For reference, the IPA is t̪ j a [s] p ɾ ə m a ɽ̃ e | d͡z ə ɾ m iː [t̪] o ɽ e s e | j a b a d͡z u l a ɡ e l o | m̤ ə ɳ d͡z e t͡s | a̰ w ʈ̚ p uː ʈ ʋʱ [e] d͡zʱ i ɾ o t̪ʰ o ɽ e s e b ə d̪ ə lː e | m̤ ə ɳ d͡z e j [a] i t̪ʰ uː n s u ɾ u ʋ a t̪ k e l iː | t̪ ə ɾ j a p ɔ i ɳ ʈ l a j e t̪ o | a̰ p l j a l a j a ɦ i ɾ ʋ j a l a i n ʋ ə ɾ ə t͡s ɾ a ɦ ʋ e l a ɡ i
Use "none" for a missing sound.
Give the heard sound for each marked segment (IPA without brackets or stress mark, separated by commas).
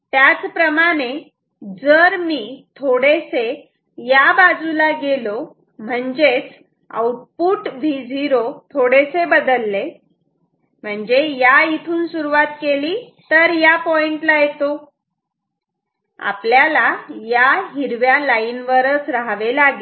t͡s, t̪ʰ, i, a